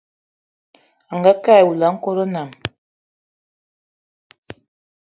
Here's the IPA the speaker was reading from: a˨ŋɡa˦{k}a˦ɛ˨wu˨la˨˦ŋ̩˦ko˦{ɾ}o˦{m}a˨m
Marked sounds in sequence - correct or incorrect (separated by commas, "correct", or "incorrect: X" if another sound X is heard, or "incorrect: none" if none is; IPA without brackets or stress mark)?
correct, correct, incorrect: n